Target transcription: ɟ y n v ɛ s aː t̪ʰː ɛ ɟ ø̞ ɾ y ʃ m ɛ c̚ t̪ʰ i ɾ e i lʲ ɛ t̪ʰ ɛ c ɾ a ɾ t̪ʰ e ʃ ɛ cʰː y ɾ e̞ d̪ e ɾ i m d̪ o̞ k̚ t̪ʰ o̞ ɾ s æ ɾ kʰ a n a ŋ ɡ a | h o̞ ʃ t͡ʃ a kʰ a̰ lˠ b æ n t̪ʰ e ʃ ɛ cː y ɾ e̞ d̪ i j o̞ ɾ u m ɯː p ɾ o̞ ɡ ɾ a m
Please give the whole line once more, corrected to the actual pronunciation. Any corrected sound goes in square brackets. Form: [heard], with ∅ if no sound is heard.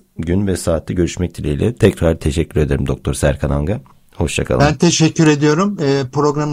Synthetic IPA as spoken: ɟ y n v ɛ s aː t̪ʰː ɛ ɟ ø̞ ɾ y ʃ m ɛ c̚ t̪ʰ i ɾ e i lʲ ɛ t̪ʰ ɛ c ɾ a ɾ t̪ʰ e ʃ ɛ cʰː y ɾ e̞ d̪ e ɾ i m d̪ o̞ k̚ t̪ʰ o̞ ɾ s æ ɾ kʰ a n a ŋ ɡ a | h o̞ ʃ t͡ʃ a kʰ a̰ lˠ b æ n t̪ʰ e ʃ ɛ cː y ɾ e̞ d̪ i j o̞ ɾ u m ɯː p ɾ o̞ ɡ ɾ a m